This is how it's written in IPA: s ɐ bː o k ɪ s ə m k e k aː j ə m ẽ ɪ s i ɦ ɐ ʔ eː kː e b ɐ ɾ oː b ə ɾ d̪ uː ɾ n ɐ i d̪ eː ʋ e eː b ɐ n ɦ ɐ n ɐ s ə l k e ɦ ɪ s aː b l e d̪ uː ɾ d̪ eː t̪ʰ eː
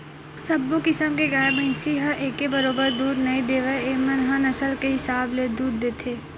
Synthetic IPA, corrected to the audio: s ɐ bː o k ɪ s ə m k e ɡ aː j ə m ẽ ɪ s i ɦ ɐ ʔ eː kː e b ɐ ɾ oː b ə ɾ d̪ uː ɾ n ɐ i d̪ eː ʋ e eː m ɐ n ɦ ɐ n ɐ s ə l k e ɦ ɪ s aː b l e d̪ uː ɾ d̪ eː t̪ʰ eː